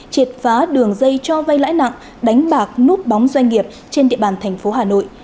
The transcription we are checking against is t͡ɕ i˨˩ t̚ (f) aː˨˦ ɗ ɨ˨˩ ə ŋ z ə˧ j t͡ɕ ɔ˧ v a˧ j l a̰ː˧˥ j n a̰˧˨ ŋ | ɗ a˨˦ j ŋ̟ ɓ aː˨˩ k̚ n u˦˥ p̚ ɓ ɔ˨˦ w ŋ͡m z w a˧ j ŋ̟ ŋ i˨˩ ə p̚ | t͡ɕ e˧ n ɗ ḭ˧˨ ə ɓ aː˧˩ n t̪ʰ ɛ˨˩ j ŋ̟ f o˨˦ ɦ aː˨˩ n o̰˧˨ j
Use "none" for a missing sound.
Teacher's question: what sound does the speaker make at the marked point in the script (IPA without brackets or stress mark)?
f